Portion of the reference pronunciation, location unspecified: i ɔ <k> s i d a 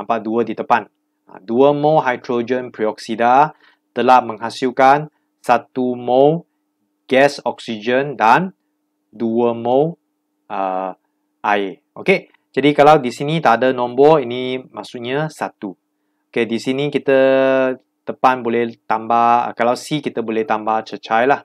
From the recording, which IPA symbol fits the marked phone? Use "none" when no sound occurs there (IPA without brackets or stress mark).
k